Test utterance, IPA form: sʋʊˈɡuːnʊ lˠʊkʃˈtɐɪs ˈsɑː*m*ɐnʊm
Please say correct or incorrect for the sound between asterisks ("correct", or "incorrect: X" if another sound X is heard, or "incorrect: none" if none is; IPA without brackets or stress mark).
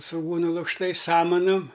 correct